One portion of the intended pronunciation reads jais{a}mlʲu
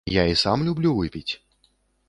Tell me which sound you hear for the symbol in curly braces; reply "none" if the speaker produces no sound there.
a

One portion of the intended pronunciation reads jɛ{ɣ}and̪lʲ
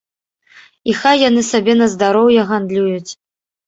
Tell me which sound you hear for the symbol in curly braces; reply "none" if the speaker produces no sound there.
ɣ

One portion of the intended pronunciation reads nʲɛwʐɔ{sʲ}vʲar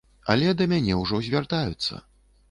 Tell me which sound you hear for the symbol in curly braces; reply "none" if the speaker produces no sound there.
zʲ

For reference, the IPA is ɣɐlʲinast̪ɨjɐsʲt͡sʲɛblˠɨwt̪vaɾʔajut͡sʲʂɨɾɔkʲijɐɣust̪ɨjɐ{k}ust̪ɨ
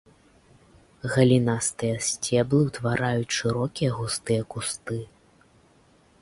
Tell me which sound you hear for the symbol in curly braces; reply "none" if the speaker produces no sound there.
k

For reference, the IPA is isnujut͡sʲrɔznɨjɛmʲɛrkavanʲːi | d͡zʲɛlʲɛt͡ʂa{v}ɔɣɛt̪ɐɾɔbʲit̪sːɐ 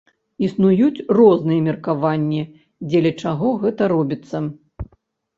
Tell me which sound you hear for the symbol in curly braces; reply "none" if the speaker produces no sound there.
ɣ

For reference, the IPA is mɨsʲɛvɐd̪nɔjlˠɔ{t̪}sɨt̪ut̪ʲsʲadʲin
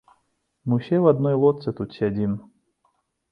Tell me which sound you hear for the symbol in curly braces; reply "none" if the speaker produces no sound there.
t̪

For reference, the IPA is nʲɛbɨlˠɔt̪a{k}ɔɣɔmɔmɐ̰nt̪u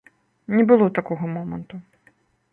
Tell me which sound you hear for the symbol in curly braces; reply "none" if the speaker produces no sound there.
k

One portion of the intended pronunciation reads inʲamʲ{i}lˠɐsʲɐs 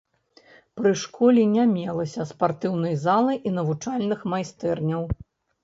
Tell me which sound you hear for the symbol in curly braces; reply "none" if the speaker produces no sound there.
ɛ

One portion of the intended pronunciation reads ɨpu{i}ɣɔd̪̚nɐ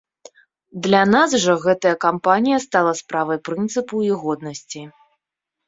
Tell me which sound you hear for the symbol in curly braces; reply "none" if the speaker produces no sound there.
i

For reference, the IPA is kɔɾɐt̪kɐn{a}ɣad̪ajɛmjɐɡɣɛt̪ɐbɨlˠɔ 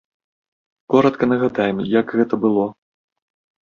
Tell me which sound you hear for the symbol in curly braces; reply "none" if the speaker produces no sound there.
ɐ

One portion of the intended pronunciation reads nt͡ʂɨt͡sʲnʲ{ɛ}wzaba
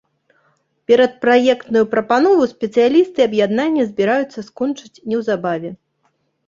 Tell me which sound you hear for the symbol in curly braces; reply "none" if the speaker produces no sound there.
ɛ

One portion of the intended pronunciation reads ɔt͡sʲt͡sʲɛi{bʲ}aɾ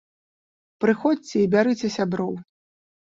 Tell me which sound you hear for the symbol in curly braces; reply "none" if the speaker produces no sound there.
bʲ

